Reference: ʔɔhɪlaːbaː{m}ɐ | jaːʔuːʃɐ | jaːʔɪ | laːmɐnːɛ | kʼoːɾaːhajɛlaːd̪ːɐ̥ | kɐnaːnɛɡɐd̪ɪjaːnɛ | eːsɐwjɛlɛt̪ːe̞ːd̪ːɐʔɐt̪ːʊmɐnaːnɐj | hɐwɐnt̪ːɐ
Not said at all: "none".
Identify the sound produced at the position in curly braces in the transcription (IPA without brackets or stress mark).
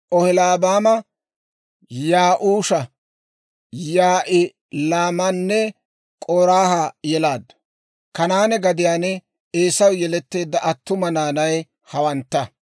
m